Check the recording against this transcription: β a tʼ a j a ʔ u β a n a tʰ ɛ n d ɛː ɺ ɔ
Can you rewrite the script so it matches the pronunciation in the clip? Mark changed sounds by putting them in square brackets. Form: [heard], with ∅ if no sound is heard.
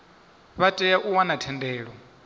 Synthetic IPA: β a tʼ [ɛ] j a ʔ u [w] a n a tʰ ɛ n d ɛː ɺ ɔ

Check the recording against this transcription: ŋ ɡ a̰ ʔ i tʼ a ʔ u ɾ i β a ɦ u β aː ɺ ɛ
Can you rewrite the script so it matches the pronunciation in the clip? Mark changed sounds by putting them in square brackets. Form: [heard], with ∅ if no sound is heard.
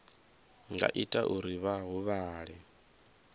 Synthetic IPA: ŋ ɡ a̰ ʔ i tʼ a ʔ u ɾ i β a ɦ u β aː ɺ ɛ

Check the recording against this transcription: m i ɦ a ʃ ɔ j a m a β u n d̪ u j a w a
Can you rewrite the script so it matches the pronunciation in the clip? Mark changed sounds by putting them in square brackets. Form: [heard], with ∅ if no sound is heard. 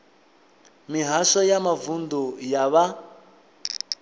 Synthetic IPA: m i ɦ a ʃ ɔ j a m a [v] u n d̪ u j a [β] a

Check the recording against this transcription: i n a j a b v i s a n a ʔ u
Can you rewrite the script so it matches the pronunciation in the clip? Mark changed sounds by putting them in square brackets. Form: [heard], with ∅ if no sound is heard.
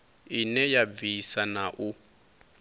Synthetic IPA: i n [ɛ] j a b v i s a n a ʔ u

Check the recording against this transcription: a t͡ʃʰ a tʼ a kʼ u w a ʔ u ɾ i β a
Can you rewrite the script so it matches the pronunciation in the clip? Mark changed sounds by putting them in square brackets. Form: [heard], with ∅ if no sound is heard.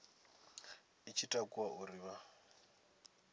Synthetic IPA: [i] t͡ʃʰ [i] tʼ a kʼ u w a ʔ u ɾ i β a

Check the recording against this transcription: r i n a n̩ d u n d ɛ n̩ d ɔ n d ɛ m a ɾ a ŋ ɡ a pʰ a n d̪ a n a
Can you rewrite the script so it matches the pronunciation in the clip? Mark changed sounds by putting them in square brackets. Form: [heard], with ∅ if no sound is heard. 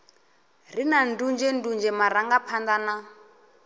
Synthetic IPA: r i n a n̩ d u n [d͡ʒ] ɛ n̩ d [u] n [d͡ʒ] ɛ m a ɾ a ŋ ɡ a pʰ a n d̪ a n a

